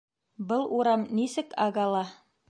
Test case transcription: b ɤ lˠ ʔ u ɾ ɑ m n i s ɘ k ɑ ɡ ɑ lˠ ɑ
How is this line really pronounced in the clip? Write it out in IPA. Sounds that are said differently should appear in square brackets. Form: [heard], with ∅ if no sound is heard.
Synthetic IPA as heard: b ɤ lˠ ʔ u ɾ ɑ m n i s ɘ k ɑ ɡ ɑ lˠ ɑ

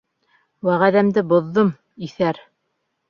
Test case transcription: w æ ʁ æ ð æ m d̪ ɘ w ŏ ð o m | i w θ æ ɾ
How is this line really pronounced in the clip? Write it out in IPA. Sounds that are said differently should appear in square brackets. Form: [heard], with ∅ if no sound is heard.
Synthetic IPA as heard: w æ ʁ æ ð æ m d̪ ɘ [b] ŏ [ðː] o m | i [∅] θ æ ɾ

